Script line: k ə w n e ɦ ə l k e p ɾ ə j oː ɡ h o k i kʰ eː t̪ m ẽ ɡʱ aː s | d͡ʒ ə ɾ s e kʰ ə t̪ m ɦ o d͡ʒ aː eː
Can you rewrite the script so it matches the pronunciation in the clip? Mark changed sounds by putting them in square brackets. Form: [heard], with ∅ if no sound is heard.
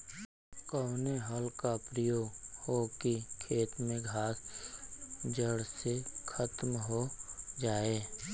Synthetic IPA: k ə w n e ɦ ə l k [a] p ɾ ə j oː ɡ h o k i kʰ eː t̪ m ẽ ɡʱ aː s | d͡ʒ ə [ɽ] s e kʰ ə t̪ m ɦ o d͡ʒ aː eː